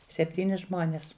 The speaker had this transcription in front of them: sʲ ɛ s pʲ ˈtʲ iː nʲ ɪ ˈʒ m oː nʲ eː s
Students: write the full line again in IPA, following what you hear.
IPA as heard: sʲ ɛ pʲ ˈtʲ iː nʲ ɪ ˈʒ m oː nʲ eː s